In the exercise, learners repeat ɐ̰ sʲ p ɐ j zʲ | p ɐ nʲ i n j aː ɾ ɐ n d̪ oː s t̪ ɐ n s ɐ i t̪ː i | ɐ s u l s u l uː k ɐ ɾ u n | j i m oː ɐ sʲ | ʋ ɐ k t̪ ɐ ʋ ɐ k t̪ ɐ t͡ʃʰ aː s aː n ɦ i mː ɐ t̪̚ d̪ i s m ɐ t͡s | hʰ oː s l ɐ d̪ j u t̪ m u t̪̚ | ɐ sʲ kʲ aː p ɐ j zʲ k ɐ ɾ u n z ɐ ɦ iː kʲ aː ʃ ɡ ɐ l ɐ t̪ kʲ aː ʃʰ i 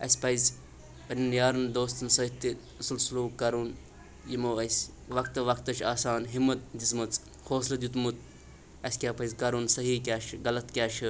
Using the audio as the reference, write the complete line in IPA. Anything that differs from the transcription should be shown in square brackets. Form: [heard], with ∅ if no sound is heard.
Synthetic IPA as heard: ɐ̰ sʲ p ɐ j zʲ | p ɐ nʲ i n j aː ɾ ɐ n d̪ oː s t̪ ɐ n s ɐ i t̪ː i | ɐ s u l s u l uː k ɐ ɾ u n | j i m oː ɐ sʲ | ʋ ɐ k t̪ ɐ ʋ ɐ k t̪ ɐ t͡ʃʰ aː s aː n ɦ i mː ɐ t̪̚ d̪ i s m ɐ t͡s | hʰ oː s l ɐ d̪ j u t̪ m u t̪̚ | ɐ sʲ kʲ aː p ɐ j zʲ k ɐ ɾ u n [s] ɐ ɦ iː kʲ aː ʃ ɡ ɐ l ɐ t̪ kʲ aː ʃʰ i